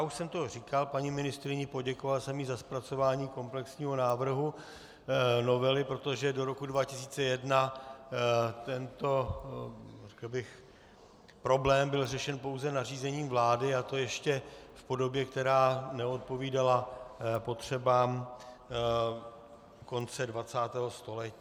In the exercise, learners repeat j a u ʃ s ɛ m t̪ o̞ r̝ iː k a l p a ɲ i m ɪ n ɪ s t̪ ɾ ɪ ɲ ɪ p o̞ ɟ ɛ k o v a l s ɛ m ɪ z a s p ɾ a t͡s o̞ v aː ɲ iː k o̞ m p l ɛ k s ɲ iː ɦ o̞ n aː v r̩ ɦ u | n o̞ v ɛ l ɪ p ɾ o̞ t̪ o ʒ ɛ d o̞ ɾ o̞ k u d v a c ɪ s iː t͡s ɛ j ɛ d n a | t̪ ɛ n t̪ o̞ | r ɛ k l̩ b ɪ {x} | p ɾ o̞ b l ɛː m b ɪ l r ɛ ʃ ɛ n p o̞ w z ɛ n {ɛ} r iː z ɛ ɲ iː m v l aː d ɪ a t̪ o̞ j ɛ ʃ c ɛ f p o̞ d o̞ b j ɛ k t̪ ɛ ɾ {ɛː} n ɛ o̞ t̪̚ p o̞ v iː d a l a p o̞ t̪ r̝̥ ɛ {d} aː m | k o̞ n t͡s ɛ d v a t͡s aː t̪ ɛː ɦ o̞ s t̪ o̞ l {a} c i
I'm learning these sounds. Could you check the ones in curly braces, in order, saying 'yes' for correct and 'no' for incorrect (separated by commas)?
yes, no, no, no, no